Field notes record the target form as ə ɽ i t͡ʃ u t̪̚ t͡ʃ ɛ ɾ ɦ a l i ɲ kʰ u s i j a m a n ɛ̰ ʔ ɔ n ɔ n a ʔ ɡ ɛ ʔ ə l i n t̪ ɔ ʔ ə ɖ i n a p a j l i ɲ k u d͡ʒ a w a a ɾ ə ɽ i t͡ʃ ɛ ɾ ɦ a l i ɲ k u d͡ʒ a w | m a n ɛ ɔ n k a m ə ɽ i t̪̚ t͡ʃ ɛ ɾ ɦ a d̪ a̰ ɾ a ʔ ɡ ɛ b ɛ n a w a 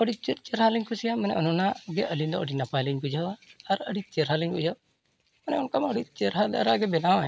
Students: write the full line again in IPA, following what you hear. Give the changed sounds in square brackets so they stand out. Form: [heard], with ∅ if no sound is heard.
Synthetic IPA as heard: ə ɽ i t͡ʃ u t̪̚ t͡ʃ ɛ ɾ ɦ a l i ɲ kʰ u s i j a m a n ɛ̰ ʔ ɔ n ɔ n a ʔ ɡ ɛ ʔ ə l i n [d̪] ɔ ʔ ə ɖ i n a p a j l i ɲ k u d͡ʒ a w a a ɾ ə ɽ i t͡ʃ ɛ ɾ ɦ a l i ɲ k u d͡ʒ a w | m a n ɛ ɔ n k a m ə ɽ i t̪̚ t͡ʃ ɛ ɾ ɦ a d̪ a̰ ɾ a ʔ ɡ ɛ b ɛ n a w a